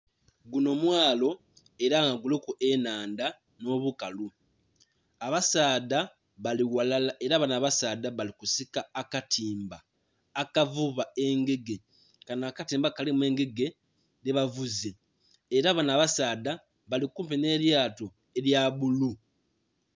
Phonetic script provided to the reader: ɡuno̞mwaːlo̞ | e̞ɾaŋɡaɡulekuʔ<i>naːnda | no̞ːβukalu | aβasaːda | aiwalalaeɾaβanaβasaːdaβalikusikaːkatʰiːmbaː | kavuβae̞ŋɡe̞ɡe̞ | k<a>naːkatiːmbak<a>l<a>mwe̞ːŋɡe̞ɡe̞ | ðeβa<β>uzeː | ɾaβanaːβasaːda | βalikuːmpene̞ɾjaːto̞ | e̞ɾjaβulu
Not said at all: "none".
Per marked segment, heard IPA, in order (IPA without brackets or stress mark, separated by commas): e, a, a, i, v